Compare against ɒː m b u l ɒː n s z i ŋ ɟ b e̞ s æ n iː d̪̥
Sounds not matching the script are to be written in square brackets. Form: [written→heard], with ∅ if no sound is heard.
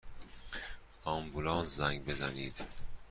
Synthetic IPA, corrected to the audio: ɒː m b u l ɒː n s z [i→æ] ŋ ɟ b e̞ [s→z] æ n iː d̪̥